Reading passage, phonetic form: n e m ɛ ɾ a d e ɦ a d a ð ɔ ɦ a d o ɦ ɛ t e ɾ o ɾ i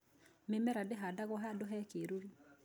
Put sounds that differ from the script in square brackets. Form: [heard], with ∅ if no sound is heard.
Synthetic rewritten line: [m] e m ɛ ɾ a d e ɦ a d a [ɣ] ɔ ɦ a d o ɦ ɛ [k] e ɾ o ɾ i

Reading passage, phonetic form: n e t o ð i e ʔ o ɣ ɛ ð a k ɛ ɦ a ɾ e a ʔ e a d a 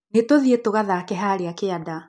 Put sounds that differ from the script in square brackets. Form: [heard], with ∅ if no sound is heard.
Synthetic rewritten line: n e t o ð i e [t] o ɣ [a] ð a k ɛ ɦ a ɾ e a [k] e a d a

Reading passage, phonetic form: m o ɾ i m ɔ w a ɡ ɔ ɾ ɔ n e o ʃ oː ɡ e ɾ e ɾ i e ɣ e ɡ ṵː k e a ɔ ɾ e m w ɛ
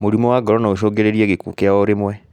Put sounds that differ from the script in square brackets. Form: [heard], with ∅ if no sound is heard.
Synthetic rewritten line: m o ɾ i m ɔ w a ɡ ɔ ɾ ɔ n [a] o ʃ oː ɡ e ɾ e ɾ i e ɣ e [k] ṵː k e a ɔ ɾ e m w ɛ

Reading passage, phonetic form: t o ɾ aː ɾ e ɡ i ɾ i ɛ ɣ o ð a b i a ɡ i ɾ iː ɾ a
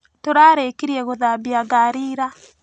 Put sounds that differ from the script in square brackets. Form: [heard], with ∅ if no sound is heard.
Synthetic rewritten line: t o ɾ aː ɾ e [k] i ɾ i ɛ ɣ o ð a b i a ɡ [a] ɾ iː ɾ a

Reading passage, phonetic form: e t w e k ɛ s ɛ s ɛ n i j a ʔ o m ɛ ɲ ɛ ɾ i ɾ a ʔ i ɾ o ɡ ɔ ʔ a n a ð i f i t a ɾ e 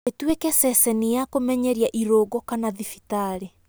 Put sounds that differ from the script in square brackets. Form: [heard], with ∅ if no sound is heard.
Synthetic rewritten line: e t w e k ɛ s ɛ s ɛ n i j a [k] o m ɛ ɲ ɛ ɾ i [∅] a ʔ i ɾ o ɡ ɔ [k] a n a ð i f i t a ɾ e

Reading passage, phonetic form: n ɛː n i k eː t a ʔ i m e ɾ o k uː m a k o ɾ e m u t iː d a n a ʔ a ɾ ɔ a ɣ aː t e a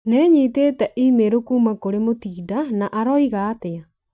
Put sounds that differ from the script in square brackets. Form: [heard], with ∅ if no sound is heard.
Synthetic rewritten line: n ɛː [ɲ] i [t] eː t [ɛ] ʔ i m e ɾ o k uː m a k o ɾ e m [o] t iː d a n a ʔ a ɾ ɔ [i] ɣ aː t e a

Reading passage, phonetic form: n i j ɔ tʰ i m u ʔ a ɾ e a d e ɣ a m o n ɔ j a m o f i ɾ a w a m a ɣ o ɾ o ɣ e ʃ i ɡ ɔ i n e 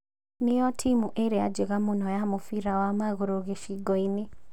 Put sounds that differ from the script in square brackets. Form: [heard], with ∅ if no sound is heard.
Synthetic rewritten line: n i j ɔ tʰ i m u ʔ [e] ɾ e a [d͡ʒ] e ɣ a m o n ɔ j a m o f i ɾ a w a m a ɣ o ɾ o ɣ e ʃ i ɡ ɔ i n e

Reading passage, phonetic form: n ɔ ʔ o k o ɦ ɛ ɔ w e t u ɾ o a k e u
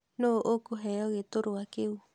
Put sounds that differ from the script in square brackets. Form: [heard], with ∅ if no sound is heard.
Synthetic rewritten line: n [o] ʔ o k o ɦ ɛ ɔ [ɣ] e t [o] ɾ o a k e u

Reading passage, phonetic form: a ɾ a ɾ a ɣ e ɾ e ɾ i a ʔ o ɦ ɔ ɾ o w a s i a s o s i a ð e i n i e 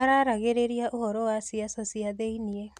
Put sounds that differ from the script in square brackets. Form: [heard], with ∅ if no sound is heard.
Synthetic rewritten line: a ɾ a ɾ a ɣ e ɾ e ɾ i a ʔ o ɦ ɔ ɾ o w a s i a s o s i a ð e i n i e

